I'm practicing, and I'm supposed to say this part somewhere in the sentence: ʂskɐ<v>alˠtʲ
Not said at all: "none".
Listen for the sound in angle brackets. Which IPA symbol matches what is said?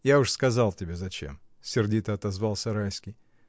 z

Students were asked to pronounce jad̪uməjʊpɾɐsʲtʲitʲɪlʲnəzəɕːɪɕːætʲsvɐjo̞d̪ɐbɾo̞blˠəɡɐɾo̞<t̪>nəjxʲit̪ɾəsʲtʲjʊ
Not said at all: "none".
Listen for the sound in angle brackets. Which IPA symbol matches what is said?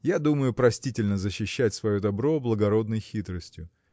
d̪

